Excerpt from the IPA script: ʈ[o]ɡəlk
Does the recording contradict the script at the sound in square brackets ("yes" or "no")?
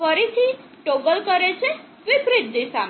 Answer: no